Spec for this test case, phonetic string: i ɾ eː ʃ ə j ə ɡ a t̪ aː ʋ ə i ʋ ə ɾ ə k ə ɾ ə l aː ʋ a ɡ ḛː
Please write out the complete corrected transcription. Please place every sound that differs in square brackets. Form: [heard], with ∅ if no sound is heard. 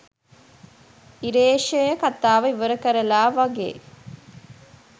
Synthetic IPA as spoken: i ɾ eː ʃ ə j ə [k] a t̪ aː ʋ ə i ʋ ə ɾ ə k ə ɾ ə l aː ʋ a ɡ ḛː